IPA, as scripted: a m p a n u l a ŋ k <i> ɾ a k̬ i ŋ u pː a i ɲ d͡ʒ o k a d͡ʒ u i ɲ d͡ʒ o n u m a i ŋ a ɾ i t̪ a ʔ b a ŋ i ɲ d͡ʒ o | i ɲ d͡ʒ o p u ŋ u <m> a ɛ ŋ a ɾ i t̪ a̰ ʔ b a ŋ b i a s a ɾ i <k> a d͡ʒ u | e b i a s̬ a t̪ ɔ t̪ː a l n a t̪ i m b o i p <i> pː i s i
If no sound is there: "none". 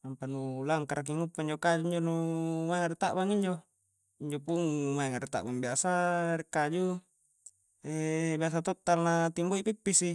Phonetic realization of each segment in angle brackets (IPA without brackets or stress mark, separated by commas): a, m, k, i